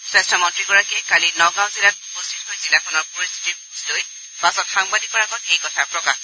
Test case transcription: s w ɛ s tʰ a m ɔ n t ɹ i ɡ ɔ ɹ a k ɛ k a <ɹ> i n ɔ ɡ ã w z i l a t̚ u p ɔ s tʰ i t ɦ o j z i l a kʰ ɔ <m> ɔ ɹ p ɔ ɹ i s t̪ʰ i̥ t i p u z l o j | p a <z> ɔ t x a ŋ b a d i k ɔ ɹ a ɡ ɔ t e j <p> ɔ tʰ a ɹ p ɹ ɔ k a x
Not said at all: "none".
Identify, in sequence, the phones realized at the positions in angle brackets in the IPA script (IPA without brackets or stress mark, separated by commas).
l, n, s, k